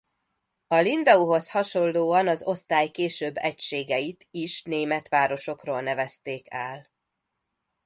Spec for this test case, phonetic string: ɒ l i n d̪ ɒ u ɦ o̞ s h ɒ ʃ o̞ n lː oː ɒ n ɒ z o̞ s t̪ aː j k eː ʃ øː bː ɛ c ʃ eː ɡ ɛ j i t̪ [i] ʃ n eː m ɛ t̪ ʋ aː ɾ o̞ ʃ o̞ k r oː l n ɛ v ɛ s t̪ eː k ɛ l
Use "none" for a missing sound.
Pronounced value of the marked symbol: i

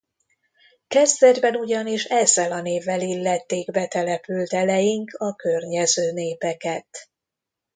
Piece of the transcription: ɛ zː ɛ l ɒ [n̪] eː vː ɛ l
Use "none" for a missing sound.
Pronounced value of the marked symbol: n̪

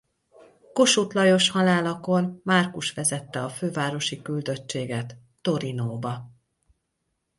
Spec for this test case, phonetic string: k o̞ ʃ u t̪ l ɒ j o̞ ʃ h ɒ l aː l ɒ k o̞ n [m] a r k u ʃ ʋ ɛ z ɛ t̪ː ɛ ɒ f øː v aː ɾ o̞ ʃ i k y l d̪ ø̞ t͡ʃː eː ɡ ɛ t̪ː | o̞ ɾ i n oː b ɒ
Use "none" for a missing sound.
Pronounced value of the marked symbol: m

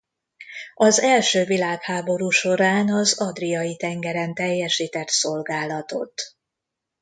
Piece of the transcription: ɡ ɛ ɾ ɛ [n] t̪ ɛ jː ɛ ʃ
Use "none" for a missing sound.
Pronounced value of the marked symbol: n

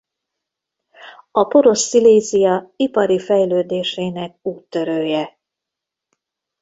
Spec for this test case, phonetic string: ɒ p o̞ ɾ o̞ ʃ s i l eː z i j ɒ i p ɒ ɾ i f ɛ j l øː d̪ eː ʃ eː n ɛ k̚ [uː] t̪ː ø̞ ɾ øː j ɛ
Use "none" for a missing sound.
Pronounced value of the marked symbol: uː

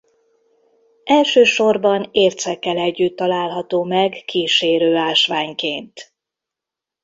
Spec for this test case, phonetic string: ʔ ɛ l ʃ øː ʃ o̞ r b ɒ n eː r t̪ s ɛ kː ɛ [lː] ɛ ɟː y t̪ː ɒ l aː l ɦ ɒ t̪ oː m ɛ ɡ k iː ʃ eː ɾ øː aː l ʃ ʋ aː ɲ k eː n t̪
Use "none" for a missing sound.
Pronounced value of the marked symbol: l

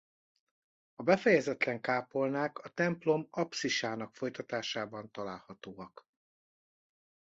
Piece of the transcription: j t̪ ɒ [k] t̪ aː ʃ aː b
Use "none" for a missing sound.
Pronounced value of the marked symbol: none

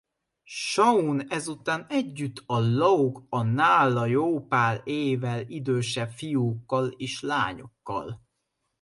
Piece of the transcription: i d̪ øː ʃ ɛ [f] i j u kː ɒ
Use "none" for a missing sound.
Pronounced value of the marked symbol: f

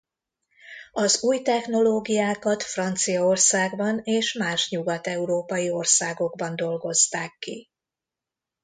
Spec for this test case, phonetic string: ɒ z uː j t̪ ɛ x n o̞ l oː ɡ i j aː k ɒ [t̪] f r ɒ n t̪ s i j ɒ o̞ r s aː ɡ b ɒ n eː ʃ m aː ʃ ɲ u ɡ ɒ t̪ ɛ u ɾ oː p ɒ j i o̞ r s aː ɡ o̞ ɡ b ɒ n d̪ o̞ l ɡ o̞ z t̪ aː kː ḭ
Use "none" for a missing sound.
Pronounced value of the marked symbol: t̪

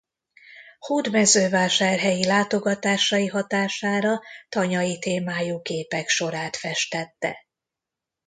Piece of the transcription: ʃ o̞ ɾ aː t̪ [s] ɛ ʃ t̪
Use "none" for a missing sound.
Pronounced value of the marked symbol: f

